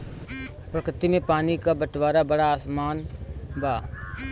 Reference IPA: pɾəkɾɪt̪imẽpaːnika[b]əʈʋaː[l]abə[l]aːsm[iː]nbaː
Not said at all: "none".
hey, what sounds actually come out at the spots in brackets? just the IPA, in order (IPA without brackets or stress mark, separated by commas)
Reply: b, ɾ, ɽ, aː